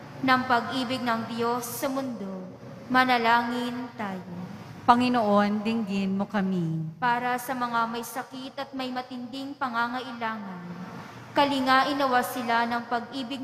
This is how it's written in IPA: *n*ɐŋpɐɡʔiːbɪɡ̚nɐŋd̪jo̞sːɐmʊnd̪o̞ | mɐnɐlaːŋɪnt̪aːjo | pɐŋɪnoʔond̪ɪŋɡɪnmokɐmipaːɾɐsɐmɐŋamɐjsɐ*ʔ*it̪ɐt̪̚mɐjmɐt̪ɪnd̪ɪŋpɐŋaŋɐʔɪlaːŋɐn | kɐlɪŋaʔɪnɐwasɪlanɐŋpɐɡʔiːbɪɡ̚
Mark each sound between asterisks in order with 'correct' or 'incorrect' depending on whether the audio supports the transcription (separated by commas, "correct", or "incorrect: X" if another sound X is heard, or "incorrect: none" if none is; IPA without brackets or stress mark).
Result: correct, incorrect: k